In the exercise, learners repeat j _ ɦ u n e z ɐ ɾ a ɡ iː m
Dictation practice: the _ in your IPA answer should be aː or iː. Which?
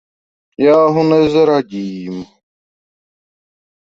aː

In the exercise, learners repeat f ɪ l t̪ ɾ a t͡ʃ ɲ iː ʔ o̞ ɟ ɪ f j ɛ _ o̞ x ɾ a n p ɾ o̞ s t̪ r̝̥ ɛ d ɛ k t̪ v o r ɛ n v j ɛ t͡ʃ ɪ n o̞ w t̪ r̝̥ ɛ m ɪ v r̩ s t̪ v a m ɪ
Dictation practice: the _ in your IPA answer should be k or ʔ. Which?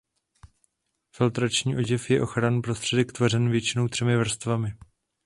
ʔ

